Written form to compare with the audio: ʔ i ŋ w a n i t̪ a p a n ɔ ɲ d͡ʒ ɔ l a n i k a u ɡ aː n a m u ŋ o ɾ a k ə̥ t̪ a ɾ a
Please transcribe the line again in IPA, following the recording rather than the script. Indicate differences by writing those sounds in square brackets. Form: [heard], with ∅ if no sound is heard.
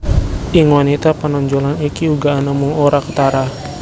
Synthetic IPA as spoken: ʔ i ŋ w a n i t̪ a p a n ɔ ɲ d͡ʒ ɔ l a n i k [i] u ɡ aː n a m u ŋ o ɾ a k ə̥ t̪ a ɾ a